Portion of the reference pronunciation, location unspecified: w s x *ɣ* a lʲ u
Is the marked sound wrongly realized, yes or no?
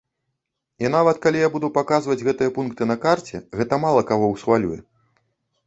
yes